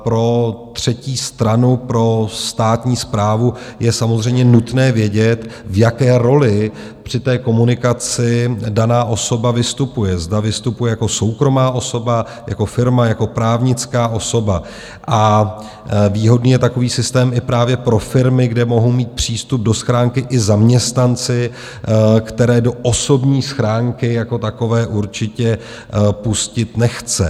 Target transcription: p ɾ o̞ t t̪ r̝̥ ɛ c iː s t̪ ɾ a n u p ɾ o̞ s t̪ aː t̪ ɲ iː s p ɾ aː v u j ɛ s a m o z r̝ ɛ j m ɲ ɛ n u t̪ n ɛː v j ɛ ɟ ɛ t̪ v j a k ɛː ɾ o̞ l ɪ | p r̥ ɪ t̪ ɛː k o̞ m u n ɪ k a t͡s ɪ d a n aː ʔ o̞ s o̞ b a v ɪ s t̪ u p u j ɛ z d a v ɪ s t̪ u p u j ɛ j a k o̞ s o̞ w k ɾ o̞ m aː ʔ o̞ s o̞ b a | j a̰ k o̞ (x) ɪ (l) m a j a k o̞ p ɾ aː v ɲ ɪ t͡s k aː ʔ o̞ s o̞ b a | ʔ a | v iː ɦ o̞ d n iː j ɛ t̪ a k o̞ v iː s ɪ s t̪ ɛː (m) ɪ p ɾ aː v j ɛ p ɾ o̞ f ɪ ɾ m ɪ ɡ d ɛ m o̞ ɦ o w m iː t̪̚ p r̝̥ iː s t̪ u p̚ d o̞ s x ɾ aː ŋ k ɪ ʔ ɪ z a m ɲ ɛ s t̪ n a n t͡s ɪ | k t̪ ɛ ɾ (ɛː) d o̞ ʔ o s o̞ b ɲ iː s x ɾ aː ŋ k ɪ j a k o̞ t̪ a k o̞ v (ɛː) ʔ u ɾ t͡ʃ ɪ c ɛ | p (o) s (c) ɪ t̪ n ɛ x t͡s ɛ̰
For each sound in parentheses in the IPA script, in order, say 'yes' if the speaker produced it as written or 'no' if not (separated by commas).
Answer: no, no, yes, yes, yes, no, yes